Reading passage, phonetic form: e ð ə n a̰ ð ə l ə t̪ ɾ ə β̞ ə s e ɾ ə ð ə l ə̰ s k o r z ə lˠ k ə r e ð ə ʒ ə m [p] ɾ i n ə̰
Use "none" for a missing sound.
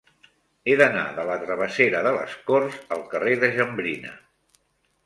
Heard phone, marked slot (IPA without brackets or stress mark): b